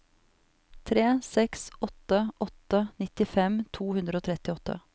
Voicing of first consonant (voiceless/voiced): voiceless